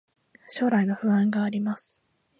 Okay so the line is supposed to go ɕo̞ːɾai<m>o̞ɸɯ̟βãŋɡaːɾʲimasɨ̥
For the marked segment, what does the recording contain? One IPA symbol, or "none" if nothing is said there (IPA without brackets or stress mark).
n